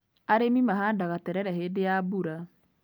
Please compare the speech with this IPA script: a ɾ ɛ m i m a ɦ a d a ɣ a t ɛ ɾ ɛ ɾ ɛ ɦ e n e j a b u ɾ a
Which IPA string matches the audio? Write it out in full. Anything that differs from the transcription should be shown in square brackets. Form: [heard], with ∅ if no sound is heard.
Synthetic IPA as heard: a ɾ [e] m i m a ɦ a d a ɣ a t ɛ ɾ ɛ ɾ ɛ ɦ e [d] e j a b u ɾ a

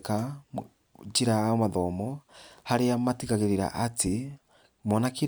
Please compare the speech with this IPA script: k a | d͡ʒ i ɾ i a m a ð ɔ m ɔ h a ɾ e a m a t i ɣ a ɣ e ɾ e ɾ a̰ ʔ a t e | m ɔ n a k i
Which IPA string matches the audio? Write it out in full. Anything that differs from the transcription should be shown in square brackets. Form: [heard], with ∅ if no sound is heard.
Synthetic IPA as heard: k a | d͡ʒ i ɾ [a] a m a ð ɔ m ɔ h a ɾ e a m a t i ɣ a ɣ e ɾ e ɾ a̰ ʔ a t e | m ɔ n a k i

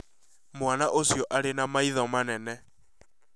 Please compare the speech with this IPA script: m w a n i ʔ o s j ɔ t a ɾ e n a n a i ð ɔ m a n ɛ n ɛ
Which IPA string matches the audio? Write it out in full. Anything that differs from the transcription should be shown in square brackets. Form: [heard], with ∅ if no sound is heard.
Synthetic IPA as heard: m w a n [a] ʔ o s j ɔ [ʔ] a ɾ e n a [m] a i ð ɔ m a n ɛ n ɛ

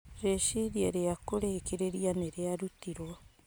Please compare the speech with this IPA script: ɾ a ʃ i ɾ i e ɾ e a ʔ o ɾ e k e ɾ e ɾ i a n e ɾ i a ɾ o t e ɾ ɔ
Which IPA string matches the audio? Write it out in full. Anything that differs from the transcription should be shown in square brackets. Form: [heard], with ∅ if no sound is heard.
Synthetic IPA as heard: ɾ [e] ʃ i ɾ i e ɾ e a [k] o ɾ e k e ɾ e ɾ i a n e ɾ [e] a ɾ [u] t [i] ɾ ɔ

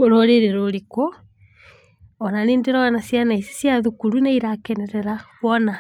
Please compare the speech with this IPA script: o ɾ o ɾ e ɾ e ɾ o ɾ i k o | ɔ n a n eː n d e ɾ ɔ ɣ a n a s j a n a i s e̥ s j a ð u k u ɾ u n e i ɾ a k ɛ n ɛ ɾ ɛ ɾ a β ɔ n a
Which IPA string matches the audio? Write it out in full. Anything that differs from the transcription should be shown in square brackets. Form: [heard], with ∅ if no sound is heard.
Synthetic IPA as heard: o ɾ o ɾ e ɾ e ɾ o ɾ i k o | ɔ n a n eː n d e ɾ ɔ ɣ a n a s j a n a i s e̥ s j a ð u k u ɾ u n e i ɾ a k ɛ n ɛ ɾ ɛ ɾ a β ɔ n a

